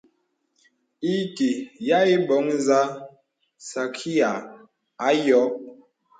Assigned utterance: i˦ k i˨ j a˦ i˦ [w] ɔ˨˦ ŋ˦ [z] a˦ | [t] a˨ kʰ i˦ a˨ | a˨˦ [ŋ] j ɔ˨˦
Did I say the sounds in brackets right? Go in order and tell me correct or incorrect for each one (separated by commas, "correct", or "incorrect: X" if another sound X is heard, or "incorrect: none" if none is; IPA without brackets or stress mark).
incorrect: b, correct, incorrect: s, incorrect: none